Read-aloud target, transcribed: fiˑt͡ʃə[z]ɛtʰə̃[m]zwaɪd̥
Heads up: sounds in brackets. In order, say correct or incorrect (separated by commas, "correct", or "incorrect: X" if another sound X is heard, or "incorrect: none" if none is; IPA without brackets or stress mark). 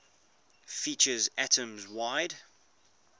correct, correct